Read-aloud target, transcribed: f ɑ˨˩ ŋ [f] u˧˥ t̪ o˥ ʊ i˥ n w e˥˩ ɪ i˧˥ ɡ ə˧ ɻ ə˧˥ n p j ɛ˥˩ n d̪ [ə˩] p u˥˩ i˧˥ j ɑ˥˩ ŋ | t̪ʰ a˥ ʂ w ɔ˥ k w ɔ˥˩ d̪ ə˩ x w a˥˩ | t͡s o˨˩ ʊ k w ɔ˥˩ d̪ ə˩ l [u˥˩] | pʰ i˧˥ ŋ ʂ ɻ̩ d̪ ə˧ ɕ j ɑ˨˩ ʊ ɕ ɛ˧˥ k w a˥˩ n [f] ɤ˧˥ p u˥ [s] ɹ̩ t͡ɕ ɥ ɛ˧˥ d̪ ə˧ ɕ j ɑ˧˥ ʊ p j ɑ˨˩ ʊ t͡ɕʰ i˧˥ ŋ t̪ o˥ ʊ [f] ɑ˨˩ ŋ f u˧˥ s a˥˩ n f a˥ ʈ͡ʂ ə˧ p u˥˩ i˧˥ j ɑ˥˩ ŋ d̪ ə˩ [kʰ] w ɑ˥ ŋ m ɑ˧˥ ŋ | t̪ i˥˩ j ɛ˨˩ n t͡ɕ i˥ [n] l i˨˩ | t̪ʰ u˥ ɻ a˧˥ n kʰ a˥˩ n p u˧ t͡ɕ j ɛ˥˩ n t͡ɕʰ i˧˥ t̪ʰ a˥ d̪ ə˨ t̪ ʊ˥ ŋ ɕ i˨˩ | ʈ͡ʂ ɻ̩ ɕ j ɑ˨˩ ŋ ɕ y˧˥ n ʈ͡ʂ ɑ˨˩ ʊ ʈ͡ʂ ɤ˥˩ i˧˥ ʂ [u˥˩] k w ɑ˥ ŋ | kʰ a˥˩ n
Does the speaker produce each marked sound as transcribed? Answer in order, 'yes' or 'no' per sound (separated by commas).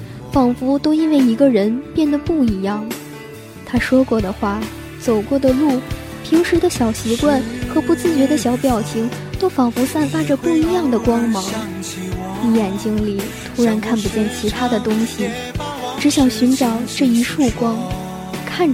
yes, yes, yes, no, no, yes, no, no, yes